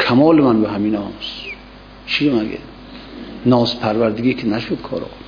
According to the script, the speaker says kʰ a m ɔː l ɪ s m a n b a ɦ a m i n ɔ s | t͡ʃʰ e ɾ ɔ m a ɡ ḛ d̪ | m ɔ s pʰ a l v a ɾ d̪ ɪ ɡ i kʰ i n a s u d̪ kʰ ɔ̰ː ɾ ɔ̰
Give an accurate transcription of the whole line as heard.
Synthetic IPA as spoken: kʰ a m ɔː l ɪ m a n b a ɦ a m i n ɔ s | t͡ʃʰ i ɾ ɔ m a ɡ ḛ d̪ | n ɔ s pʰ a ɾ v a ɾ d̪ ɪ ɡ i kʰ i n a ʃ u d̪ kʰ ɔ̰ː ɾ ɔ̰